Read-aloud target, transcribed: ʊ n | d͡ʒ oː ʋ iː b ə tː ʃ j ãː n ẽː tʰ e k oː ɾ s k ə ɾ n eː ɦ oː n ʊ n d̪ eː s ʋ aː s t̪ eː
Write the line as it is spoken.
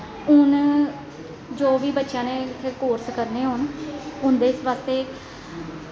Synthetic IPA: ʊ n | d͡ʒ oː ʋ iː b ə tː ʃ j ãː n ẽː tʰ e k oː ɾ s k ə ɾ n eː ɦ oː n ʊ n d̪ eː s ʋ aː s t̪ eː